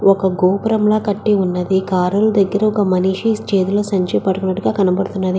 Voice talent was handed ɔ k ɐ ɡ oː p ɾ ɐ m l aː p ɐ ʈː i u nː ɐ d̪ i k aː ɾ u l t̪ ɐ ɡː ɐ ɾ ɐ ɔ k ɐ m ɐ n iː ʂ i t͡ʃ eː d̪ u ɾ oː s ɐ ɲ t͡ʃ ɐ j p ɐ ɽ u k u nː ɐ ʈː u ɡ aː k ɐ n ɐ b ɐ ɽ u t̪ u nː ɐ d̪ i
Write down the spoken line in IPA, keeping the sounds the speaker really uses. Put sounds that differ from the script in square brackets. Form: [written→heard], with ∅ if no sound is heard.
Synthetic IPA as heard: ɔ k ɐ ɡ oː p ɾ ɐ m l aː [p→k] ɐ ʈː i u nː ɐ d̪ i k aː ɾ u l [t̪→d̪] ɐ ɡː ɐ ɾ ɐ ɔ k ɐ m ɐ n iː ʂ i t͡ʃ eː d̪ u [ɾ→l] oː s ɐ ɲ t͡ʃ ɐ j p ɐ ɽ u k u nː ɐ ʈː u ɡ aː k ɐ n ɐ b ɐ ɽ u t̪ u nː ɐ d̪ i